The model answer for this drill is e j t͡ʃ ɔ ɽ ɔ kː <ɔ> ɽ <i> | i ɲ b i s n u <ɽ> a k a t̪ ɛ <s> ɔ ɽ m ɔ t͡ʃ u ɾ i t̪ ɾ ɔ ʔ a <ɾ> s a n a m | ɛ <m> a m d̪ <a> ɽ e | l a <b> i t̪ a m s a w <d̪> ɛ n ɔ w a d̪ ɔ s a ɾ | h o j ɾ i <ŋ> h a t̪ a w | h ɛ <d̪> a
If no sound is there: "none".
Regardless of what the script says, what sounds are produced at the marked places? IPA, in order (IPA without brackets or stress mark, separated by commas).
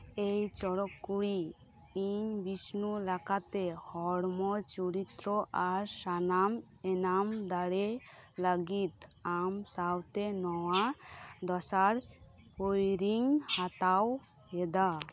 u, i, l, h, ɾ, n, a, ɡ, t̪, ŋ, d̪